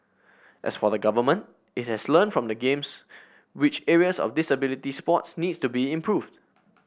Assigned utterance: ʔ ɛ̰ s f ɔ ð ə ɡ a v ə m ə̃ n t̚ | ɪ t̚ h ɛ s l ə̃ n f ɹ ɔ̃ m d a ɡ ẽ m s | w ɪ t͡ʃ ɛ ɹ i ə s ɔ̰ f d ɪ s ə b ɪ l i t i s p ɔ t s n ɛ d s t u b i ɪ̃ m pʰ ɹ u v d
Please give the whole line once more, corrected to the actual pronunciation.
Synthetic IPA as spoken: ʔ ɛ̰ s f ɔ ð ə ɡ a v ə m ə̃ n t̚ | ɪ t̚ h ɛ s l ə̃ n f ɹ ɔ̃ m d ə ɡ ẽ m s | w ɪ t͡ʃ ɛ ɹ i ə s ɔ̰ f d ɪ s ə b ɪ l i t i s p ɔ t s n i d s t u b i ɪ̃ m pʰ ɹ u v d